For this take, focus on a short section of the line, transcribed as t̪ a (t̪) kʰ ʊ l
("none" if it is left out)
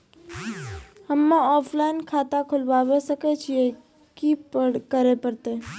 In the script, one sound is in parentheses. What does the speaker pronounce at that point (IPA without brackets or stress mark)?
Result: none